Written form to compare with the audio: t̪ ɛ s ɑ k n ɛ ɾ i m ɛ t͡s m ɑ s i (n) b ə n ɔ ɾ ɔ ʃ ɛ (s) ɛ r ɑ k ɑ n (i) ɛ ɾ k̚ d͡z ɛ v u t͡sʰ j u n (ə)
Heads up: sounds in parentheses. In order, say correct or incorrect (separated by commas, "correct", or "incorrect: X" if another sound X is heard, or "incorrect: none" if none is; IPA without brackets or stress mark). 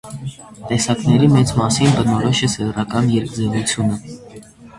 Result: correct, correct, incorrect: j, correct